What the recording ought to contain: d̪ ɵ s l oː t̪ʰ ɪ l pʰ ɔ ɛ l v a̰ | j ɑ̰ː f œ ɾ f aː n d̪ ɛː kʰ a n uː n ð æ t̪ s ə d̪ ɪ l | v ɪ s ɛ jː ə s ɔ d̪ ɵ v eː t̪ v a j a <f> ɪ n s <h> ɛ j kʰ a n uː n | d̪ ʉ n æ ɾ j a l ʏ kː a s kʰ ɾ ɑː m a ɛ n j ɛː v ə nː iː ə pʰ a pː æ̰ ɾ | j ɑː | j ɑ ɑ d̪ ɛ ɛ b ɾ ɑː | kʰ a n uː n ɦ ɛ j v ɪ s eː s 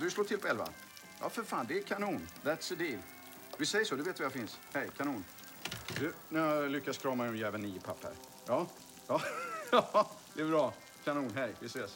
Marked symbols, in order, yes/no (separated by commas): yes, yes